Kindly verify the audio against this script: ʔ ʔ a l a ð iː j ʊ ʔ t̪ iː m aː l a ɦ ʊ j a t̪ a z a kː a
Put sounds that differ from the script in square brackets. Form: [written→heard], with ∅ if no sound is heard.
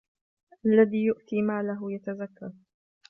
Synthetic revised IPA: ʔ ʔ a [l→lː] a ð iː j ʊ ʔ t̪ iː m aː l a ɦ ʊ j a t̪ a z a kː a

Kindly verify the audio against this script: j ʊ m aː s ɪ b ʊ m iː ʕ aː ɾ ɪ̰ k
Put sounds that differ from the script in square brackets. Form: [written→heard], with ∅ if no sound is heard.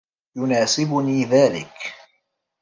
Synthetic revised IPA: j ʊ [m→n] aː s ɪ b ʊ [m→n] iː [ʕ→ð] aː [ɾ→l] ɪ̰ k

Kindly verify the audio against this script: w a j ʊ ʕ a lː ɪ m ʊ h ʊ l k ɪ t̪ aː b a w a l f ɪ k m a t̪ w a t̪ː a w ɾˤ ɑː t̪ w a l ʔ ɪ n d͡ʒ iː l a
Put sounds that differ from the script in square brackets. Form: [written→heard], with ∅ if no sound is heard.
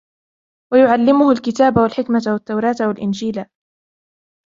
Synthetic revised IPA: w a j ʊ ʕ a lː ɪ m ʊ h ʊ l k ɪ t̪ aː b a w a l [f→ħ] ɪ k m a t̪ w a t̪ː a w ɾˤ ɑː t̪ w a l ʔ ɪ n d͡ʒ iː l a

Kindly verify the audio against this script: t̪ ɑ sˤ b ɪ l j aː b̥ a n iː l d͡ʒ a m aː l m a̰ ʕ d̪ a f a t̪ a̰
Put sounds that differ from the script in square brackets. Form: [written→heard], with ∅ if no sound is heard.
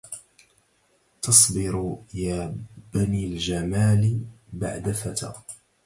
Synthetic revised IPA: t̪ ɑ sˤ b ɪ [l→ɾ] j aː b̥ a n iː l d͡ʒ a m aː l [m→b] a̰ ʕ d̪ a f a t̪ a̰

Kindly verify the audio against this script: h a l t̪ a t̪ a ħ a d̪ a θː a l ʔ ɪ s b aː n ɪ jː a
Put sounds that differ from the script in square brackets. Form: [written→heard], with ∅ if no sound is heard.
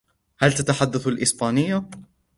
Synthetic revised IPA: h a l t̪ a t̪ a ħ a [d̪→d̪ː] a [θː→θ] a l ʔ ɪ s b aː n ɪ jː a

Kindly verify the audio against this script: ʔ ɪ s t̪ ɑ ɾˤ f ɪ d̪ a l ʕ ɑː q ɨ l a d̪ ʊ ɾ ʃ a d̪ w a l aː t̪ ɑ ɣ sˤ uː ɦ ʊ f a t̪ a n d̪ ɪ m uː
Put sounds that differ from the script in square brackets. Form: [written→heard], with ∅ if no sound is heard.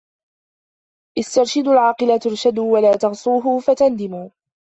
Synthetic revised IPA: ʔ ɪ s t̪ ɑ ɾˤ [f→ʃ] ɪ d̪ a l ʕ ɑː q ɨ l a [d̪→t̪] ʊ ɾ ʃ a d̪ w a l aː t̪ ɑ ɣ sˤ uː ɦ ʊ f a t̪ a n d̪ ɪ m uː

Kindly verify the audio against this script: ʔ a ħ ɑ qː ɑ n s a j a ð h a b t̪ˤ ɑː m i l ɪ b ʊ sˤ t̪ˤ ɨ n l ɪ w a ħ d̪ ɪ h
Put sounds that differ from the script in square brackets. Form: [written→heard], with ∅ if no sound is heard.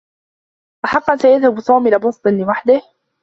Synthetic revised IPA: ʔ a ħ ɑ qː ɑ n s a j a ð h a b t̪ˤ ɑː m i l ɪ b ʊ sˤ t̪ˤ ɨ n l ɪ w a ħ d̪ ɪ h

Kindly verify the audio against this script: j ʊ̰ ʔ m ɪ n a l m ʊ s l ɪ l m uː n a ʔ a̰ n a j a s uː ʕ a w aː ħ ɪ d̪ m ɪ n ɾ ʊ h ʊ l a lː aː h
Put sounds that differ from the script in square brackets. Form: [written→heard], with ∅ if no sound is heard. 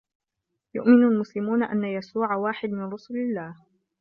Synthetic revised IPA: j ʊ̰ ʔ m ɪ n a l m ʊ s l ɪ [l→∅] m uː n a ʔ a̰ [n→nː] a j a s uː ʕ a w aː ħ ɪ d̪ m ɪ n ɾ ʊ [h→s] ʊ l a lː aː h

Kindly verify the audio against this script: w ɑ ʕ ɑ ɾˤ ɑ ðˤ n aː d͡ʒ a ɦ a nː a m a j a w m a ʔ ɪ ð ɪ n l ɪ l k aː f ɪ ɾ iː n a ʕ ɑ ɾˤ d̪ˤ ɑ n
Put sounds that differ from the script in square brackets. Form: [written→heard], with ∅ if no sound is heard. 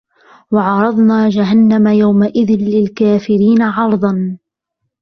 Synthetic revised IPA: w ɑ ʕ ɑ ɾˤ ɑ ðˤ n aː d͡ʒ a ɦ a nː a m a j a w m a ʔ ɪ ð ɪ n l ɪ l k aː f ɪ ɾ iː n a ʕ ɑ ɾˤ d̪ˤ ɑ n

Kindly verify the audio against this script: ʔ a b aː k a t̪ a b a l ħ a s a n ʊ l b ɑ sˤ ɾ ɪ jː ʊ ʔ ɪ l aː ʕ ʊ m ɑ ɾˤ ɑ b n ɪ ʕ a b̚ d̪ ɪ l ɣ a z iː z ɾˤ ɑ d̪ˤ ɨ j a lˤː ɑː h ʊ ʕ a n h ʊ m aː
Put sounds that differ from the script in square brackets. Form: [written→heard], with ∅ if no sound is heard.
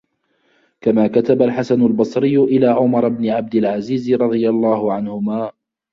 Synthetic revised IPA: [ʔ→k] a [b→m] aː k a t̪ a b a l ħ a s a n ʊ l b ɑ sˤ ɾ ɪ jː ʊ ʔ ɪ l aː ʕ ʊ m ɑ ɾˤ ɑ b n ɪ ʕ a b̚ d̪ ɪ l [ɣ→ʕ] a z iː z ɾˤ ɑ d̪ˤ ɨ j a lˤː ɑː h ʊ ʕ a n h ʊ m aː

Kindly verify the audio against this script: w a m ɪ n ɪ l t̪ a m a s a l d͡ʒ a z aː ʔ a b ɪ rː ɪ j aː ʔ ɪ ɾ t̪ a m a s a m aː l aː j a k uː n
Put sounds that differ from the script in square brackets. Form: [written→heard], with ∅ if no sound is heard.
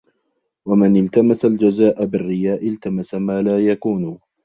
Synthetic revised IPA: w a m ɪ n ɪ l t̪ a m a s a l d͡ʒ a z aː ʔ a b ɪ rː ɪ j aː ʔ ɪ [ɾ→l] t̪ a m a s a m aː l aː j a k uː n

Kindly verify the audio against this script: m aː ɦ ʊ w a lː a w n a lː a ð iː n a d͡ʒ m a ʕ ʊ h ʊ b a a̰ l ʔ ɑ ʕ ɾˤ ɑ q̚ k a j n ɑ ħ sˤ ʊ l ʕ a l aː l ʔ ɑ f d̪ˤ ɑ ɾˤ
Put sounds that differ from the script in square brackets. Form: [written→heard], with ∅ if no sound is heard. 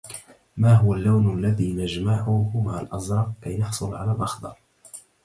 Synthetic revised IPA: m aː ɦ ʊ w a lː a w n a lː a ð iː n a d͡ʒ m a ʕ ʊ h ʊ [b→m] a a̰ l ʔ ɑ [ʕ→z] ɾˤ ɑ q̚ k a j n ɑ ħ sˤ ʊ l ʕ a l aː l ʔ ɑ [f→x] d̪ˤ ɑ ɾˤ

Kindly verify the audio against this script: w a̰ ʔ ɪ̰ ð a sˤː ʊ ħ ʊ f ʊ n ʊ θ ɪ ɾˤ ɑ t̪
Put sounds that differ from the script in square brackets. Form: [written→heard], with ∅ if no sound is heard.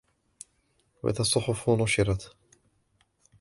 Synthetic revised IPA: w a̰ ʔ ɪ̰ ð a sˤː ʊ ħ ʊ f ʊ n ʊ [θ→ʃ] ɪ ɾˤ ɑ t̪

